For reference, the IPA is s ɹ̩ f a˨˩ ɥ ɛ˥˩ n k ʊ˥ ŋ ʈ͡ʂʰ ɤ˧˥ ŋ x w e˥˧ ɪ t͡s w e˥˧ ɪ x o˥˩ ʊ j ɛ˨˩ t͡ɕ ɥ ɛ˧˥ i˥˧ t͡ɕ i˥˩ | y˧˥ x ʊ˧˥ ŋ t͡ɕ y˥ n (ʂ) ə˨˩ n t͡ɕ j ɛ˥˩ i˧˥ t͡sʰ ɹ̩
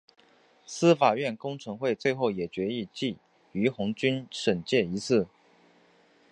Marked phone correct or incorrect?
correct